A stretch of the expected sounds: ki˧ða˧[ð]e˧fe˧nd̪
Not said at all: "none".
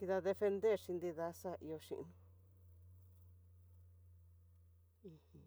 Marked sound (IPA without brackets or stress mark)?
ð